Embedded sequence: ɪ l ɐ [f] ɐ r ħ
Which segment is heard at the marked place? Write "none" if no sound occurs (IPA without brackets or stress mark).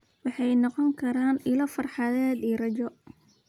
f